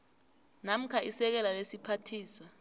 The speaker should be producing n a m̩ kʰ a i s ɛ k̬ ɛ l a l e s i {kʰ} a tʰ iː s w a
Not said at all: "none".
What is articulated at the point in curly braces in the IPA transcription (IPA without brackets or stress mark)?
pʰ